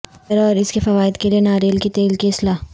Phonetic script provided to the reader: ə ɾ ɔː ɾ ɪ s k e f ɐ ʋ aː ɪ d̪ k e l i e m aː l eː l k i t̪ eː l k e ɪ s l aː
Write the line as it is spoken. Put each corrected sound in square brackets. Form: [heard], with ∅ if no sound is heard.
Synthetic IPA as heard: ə ɾ ɔː ɾ ɪ s k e f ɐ ʋ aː ɪ d̪ k e l i e [n] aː [ɾ] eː l k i t̪ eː l k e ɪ s l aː